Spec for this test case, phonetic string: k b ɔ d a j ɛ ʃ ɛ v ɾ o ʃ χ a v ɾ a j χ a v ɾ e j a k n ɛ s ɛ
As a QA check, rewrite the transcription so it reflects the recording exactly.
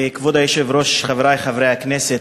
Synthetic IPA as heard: k v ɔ d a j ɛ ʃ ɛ v ɾ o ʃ χ a v ɾ a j χ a v ɾ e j a k n ɛ s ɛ